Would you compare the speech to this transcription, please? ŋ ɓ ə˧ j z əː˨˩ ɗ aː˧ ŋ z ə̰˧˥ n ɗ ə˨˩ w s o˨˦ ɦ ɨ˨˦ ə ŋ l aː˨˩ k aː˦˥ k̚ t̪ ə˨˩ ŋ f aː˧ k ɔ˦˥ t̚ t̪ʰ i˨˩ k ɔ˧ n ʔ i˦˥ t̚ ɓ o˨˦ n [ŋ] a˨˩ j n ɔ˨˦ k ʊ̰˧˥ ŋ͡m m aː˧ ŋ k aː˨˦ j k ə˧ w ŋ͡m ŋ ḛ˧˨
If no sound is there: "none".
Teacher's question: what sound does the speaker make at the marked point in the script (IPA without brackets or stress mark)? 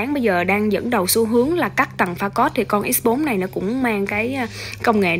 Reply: n